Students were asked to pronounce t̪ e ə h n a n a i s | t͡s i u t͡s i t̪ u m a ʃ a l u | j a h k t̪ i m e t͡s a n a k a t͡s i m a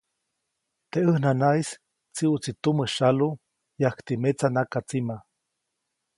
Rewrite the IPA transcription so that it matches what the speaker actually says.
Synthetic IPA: t̪ e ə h n a n a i s | t͡s i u t͡s i t̪ u m ə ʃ a l u | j a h k t̪ i m e t͡s a n a k a t͡s i m a